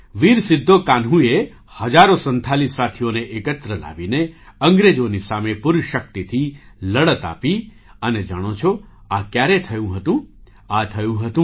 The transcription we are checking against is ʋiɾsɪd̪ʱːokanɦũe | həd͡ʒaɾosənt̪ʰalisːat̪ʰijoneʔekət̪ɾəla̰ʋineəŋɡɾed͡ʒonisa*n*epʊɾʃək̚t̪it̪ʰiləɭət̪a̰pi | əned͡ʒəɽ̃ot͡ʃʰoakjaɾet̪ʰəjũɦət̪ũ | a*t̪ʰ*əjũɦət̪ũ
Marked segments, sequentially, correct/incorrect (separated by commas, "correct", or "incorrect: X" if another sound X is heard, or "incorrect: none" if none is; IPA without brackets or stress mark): incorrect: m, correct